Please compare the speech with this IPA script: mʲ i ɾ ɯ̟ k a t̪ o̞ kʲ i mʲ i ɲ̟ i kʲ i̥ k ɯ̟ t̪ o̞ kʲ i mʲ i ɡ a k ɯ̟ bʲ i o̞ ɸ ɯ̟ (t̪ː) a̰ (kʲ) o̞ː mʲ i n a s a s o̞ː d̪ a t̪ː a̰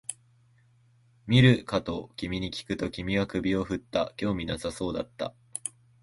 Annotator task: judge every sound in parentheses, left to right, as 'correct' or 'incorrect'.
correct, correct

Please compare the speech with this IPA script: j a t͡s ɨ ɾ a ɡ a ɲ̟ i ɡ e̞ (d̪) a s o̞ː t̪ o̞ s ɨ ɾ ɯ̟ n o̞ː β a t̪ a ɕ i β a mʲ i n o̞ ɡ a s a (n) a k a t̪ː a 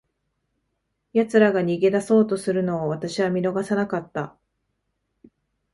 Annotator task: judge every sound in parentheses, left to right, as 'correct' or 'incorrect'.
correct, correct

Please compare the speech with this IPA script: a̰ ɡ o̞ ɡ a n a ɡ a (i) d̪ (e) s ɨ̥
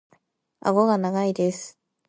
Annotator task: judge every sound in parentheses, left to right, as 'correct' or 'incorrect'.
correct, correct

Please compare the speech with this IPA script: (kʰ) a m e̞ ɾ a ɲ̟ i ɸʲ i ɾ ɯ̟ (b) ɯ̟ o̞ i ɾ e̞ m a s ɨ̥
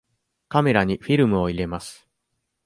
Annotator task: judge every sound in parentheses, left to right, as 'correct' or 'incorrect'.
incorrect: k, incorrect: m

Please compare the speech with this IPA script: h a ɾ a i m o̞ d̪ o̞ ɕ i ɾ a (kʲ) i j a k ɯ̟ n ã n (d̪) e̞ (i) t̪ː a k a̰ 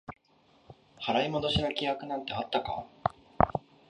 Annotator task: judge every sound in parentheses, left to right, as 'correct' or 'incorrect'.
correct, incorrect: t̪, incorrect: a

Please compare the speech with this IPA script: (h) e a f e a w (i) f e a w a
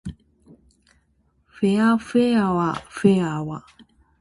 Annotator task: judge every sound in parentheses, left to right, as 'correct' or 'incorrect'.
incorrect: f, incorrect: a

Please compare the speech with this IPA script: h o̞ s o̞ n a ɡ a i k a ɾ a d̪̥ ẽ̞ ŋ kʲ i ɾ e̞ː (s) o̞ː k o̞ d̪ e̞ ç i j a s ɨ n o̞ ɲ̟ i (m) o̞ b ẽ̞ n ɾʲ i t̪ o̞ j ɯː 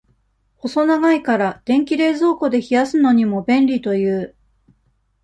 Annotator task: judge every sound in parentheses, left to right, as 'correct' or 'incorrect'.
incorrect: z, correct

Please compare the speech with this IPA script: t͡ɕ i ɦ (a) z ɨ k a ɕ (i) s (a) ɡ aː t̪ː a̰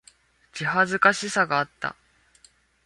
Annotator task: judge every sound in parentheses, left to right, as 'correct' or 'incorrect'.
correct, correct, correct

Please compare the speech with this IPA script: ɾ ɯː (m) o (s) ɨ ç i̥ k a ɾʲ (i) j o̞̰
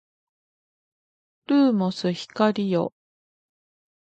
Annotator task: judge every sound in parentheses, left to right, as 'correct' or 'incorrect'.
correct, correct, correct

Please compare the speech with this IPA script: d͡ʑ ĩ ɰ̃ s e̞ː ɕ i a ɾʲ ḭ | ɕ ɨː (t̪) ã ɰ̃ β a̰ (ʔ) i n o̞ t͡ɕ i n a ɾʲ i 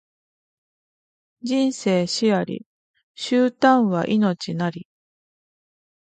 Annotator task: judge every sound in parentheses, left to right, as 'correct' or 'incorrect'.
correct, correct

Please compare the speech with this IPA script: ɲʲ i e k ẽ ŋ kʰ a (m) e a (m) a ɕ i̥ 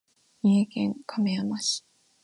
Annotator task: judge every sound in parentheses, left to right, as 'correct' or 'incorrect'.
correct, correct

